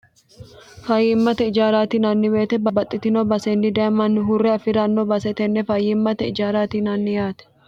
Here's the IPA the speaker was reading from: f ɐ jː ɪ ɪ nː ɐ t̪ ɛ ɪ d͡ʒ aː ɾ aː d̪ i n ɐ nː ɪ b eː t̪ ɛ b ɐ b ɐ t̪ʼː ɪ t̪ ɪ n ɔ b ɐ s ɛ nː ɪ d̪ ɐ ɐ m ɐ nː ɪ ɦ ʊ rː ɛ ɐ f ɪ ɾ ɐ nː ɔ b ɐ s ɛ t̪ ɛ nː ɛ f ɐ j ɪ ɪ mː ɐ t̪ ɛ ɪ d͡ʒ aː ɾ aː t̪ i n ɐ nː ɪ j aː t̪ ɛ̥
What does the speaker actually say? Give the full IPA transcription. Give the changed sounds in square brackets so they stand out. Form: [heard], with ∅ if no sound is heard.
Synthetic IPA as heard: f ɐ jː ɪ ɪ [mː] ɐ t̪ ɛ ɪ d͡ʒ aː ɾ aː [t̪] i n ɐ nː ɪ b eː t̪ ɛ b ɐ b ɐ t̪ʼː ɪ t̪ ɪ n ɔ b ɐ s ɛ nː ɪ d̪ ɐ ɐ m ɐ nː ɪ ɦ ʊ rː ɛ ɐ f ɪ ɾ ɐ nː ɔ b ɐ s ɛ t̪ ɛ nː ɛ f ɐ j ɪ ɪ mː ɐ t̪ ɛ ɪ d͡ʒ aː ɾ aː t̪ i n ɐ nː ɪ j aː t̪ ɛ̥

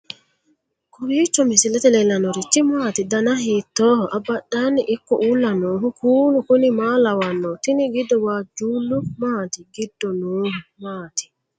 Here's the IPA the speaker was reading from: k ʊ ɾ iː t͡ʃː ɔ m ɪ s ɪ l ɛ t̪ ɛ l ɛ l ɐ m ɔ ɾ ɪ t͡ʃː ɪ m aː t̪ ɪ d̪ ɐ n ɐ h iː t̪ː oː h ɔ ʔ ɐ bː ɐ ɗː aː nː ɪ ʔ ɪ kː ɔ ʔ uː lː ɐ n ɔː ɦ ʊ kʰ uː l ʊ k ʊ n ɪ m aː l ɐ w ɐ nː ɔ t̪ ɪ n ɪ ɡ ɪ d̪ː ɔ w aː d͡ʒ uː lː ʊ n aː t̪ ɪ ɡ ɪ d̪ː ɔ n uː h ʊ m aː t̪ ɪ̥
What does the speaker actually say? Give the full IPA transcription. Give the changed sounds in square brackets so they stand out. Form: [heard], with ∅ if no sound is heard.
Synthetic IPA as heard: k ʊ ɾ iː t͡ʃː ɔ m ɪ s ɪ l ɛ t̪ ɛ l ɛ l ɐ [n] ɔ ɾ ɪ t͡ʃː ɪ m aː t̪ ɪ d̪ ɐ n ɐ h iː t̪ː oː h ɔ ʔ ɐ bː ɐ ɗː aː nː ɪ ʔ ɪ kː ɔ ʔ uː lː ɐ n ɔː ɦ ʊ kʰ uː l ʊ k ʊ n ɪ m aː l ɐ w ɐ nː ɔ t̪ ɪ n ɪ ɡ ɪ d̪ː ɔ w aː d͡ʒ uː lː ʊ [m] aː t̪ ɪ ɡ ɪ d̪ː ɔ n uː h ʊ m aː t̪ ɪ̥

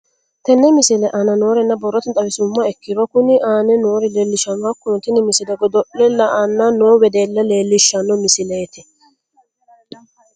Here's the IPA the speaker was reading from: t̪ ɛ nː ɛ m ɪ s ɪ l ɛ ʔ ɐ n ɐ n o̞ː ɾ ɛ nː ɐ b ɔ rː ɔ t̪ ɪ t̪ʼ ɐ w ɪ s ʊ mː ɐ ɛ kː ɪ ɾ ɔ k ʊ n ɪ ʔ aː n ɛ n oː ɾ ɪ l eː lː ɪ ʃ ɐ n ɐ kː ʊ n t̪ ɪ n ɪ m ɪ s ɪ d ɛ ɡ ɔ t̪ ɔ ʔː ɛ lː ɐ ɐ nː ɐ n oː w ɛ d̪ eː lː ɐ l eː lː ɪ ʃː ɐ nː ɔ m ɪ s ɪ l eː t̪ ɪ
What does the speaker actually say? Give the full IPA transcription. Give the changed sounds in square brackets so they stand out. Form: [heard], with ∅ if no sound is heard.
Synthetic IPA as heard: t̪ ɛ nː ɛ m ɪ s ɪ l ɛ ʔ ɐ n ɐ n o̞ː ɾ ɛ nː ɐ b ɔ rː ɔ t̪ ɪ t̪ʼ ɐ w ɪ s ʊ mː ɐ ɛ kː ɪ ɾ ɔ k ʊ n ɪ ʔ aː n ɛ n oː ɾ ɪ l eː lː ɪ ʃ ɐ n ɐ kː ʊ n t̪ ɪ n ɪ m ɪ s ɪ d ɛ ɡ ɔ [d̪] ɔ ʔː ɛ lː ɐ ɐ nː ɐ n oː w ɛ d̪ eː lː ɐ l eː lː ɪ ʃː ɐ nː ɔ m ɪ s ɪ l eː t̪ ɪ

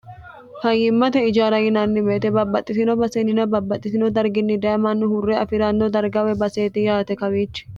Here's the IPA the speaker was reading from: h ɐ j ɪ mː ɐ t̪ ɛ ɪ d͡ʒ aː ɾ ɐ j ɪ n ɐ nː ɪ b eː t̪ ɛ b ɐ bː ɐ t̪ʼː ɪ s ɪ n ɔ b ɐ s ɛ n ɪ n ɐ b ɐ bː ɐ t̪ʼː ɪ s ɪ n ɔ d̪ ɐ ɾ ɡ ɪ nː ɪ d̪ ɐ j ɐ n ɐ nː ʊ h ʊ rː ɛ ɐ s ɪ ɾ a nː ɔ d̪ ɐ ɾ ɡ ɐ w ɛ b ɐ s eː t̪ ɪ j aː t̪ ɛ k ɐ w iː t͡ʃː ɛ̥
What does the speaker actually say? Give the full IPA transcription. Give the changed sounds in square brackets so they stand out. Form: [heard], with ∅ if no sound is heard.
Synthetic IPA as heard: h ɐ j ɪ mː ɐ t̪ ɛ ɪ d͡ʒ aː ɾ ɐ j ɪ n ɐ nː ɪ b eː t̪ ɛ b ɐ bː ɐ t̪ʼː ɪ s ɪ n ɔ b ɐ s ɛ n ɪ n ɐ b ɐ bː ɐ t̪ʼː ɪ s ɪ n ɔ d̪ ɐ ɾ ɡ ɪ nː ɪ d̪ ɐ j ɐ [m] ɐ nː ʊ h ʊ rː ɛ ɐ [f] ɪ ɾ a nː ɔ d̪ ɐ ɾ ɡ ɐ w ɛ b ɐ s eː t̪ ɪ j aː t̪ ɛ k ɐ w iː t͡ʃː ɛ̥

